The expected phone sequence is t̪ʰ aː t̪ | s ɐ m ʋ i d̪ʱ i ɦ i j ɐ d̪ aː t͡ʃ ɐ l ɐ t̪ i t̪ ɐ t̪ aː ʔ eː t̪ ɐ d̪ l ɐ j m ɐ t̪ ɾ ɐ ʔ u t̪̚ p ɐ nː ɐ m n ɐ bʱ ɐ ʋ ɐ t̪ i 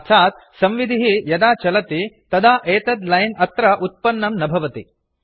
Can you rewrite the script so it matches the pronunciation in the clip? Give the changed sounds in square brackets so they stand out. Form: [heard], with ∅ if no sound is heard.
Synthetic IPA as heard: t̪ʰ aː t̪ | s ɐ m ʋ i d̪ʱ i ɦ i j ɐ d̪ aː t͡ʃ ɐ l ɐ t̪ i t̪ ɐ [d̪] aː ʔ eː t̪ ɐ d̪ l ɐ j [n] ɐ t̪ ɾ ɐ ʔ u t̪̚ p ɐ nː ɐ m n ɐ bʱ ɐ ʋ ɐ t̪ i

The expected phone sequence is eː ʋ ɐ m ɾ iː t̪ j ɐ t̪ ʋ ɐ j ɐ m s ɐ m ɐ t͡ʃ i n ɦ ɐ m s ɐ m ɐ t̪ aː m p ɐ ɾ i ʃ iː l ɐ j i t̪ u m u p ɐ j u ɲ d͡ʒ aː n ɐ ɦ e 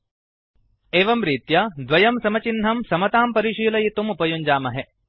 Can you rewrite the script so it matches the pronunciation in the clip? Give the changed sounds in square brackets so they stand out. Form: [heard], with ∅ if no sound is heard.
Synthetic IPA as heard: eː ʋ ɐ m ɾ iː t̪ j ɐ [d̪] ʋ ɐ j ɐ m s ɐ m ɐ t͡ʃ i n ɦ ɐ m s ɐ m ɐ t̪ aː m p ɐ ɾ i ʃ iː l ɐ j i t̪ u m u p ɐ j u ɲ d͡ʒ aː [m] ɐ ɦ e

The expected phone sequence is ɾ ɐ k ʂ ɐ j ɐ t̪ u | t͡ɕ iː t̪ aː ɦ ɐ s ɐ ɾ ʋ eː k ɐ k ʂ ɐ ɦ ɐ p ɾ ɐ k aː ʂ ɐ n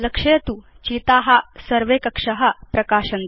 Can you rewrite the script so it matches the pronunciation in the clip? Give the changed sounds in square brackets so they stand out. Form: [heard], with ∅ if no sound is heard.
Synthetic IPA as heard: [l] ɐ k ʂ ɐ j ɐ t̪ u | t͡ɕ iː t̪ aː ɦ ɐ s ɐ ɾ ʋ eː k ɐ k ʂ ɐ ɦ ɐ p ɾ ɐ k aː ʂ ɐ n

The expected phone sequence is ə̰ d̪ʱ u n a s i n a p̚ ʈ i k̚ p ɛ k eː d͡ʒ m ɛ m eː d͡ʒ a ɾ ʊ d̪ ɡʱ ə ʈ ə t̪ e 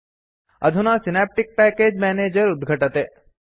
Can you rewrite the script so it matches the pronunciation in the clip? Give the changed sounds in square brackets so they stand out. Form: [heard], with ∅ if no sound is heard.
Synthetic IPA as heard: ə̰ d̪ʱ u n a s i n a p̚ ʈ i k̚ p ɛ k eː d͡ʒ m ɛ [n] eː d͡ʒ [ə] ɾ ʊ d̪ ɡʱ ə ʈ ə t̪ e

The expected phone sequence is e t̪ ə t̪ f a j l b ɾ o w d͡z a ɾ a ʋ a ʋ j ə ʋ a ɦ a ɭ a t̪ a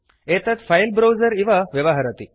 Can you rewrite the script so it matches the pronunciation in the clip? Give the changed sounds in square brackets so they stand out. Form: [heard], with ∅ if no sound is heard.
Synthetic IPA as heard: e t̪ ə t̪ f a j l b ɾ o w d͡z [ə] ɾ [i] ʋ a ʋ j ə ʋ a ɦ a [ɾ] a t̪ [i]

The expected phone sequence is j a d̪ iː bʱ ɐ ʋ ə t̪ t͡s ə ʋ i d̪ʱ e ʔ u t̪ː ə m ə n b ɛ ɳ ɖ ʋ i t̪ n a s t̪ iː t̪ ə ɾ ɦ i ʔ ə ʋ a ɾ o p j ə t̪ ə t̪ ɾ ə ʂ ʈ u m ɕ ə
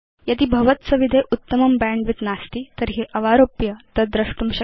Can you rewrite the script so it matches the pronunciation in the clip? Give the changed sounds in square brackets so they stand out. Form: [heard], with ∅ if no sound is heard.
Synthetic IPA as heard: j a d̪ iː bʱ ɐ ʋ ə t̪ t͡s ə ʋ i d̪ʱ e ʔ u t̪ː ə m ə [m] b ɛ ɳ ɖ ʋ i t̪ n a s t̪ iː t̪ ə ɾ ɦ i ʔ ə ʋ a ɾ o p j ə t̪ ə [d̪] ɾ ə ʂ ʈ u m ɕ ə

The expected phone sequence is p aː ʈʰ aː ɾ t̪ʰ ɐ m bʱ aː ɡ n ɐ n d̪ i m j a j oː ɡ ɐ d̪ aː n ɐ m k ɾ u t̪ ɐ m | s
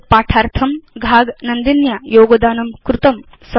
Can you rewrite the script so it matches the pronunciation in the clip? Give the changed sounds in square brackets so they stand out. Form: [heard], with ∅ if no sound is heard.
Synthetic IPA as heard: p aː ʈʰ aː ɾ t̪ʰ ɐ m [ɡʱ] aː ɡ n ɐ n d̪ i [n] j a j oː ɡ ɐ d̪ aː n ɐ m k ɾ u t̪ ɐ m | s

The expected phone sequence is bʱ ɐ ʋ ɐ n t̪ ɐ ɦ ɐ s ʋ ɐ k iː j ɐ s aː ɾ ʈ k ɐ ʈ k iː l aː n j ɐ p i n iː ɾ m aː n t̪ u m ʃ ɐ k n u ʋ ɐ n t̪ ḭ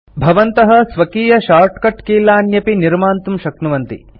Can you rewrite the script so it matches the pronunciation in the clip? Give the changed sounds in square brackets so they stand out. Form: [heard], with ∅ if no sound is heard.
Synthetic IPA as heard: bʱ ɐ ʋ ɐ n t̪ ɐ ɦ ɐ s ʋ ɐ k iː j ɐ [ʃ] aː ɾ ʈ k ɐ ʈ k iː l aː n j ɐ p i n [i] ɾ m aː n t̪ u m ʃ ɐ k n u ʋ ɐ n t̪ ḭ

